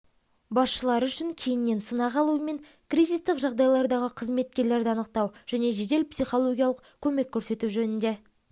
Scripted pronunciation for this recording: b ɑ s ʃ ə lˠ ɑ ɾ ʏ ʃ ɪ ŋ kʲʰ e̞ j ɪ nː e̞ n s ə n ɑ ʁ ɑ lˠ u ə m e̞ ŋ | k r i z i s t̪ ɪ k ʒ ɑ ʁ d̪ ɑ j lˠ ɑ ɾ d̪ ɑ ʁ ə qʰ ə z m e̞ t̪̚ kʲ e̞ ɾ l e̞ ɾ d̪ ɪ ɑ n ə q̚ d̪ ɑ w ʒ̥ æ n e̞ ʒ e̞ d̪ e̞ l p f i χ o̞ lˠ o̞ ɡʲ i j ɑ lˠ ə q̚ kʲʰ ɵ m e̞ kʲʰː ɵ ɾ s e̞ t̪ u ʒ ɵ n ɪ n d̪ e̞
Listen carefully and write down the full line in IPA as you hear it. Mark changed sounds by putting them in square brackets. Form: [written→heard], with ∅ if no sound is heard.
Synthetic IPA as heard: b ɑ s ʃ ə lˠ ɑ ɾ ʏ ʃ ɪ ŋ kʲʰ e̞ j ɪ nː e̞ n s ə n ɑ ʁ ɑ lˠ u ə m e̞ ŋ | k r i z i s t̪ ɪ k ʒ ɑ ʁ d̪ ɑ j lˠ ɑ ɾ d̪ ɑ ʁ ə qʰ ə z m e̞ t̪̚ kʲ e̞ ɾ l e̞ ɾ d̪ ɪ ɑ n ə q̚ [d̪→t̪] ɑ w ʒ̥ æ n e̞ ʒ e̞ d̪ e̞ l p [f→s] i χ o̞ lˠ o̞ ɡʲ i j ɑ lˠ ə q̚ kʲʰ ɵ m e̞ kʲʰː ɵ ɾ s e̞ t̪ u ʒ ɵ n ɪ n d̪ e̞

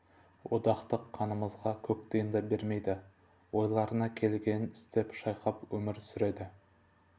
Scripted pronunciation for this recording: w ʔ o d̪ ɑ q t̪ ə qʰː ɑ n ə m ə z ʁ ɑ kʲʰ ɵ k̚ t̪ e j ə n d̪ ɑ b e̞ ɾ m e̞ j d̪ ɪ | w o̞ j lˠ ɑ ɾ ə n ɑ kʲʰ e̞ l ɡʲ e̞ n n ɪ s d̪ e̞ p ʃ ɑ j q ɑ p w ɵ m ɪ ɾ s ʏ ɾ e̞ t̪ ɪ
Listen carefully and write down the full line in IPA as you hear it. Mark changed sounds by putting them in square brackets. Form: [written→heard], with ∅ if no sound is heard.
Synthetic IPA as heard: w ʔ o d̪ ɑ q t̪ ə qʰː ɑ n ə m ə z ʁ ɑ kʲʰ ɵ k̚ t̪ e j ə n d̪ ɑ b e̞ ɾ m e̞ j d̪ ɪ | w o̞ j lˠ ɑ ɾ ə n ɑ kʲʰ e̞ l ɡʲ e̞ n n ɪ s [d̪→t̪] e̞ p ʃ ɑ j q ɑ p w ɵ m ɪ ɾ s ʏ ɾ e̞ [t̪→d̪] ɪ

